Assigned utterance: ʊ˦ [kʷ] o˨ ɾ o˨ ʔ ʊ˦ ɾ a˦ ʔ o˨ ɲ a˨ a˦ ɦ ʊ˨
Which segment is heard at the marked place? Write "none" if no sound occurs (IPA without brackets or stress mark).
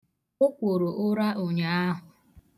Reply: kʷ